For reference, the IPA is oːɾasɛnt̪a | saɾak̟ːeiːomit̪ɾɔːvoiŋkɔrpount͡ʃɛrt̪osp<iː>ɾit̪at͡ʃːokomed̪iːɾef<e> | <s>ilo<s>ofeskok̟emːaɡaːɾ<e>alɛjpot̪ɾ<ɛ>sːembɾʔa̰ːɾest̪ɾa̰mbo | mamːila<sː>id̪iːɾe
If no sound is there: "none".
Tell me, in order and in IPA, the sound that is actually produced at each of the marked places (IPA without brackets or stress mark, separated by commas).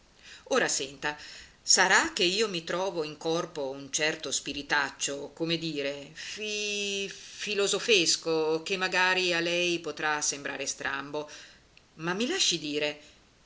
i, i, f, z, i, a, ʃː